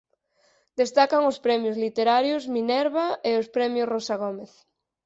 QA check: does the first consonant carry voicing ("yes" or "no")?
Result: yes